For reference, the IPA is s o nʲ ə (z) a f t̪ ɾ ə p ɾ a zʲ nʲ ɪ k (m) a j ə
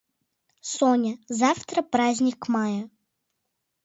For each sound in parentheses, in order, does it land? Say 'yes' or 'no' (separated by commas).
yes, yes